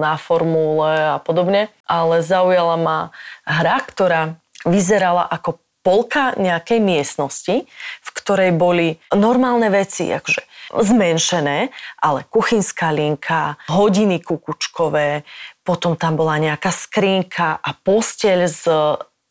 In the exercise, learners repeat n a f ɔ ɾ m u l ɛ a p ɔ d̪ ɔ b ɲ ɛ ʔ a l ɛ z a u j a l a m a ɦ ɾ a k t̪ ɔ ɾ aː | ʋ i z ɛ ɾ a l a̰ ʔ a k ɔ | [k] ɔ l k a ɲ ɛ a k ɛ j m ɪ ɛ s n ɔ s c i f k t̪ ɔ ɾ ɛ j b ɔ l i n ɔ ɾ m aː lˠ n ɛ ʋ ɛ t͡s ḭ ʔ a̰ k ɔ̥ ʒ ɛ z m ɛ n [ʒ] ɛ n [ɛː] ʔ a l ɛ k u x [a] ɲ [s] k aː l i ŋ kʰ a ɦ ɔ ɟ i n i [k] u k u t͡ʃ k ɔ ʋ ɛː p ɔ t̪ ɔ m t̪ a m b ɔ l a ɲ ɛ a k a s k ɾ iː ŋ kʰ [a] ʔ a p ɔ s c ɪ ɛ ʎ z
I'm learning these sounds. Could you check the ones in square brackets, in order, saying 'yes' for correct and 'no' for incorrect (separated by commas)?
no, no, yes, no, yes, yes, yes